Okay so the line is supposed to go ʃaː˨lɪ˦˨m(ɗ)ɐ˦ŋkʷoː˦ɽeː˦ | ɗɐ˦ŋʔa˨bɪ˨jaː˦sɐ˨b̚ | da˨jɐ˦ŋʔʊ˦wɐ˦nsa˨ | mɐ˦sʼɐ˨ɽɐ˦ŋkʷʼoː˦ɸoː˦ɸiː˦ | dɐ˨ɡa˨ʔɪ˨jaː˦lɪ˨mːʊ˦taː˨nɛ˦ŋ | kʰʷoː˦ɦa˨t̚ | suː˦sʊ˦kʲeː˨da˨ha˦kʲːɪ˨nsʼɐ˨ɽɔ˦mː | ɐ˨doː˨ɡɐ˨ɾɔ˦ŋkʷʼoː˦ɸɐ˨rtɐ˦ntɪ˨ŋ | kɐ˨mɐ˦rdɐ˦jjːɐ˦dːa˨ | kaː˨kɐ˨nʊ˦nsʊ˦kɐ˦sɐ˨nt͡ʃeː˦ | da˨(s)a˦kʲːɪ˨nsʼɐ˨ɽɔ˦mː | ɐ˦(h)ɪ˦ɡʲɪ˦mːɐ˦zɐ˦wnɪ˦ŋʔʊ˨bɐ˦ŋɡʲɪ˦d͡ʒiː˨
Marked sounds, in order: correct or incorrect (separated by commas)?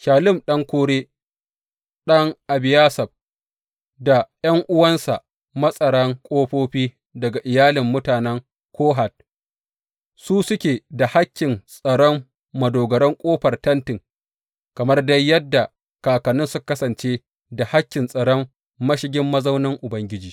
correct, incorrect, incorrect